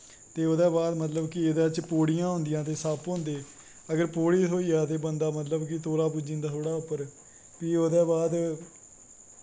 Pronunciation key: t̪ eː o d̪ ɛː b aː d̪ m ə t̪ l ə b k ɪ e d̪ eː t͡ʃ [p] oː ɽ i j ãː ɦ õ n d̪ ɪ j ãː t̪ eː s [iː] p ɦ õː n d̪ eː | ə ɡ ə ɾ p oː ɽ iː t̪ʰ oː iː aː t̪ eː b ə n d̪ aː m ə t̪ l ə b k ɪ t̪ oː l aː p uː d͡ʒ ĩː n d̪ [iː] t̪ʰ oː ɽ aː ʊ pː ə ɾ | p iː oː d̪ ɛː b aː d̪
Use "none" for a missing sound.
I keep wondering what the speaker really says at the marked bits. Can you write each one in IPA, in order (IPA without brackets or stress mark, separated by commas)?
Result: p, aː, aː